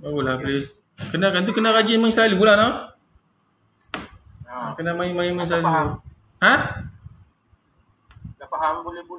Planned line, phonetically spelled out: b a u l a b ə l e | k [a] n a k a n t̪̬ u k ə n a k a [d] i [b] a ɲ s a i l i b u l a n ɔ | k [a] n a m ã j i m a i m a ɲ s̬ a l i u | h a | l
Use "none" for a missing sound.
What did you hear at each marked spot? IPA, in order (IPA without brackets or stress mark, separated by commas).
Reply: ə, d͡ʒ, m, ə